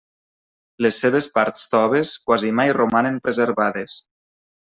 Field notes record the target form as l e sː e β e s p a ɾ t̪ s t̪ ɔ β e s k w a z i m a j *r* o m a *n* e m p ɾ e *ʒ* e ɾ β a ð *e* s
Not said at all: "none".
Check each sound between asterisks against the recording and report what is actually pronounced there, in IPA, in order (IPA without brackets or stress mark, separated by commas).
r, n, z, e